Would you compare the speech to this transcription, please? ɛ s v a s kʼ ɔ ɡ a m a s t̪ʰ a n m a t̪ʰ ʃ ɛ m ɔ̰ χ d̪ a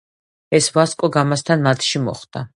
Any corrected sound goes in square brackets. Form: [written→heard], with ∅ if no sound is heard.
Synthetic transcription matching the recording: ɛ s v a s kʼ ɔ ɡ a m a s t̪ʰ a n m a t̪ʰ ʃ [ɛ→i] m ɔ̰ χ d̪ a